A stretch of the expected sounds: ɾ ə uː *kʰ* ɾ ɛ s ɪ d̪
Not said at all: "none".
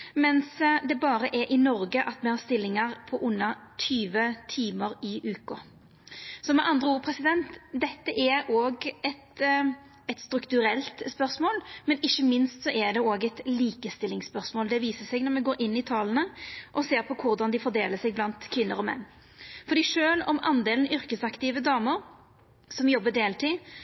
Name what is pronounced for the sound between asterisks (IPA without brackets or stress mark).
pʰ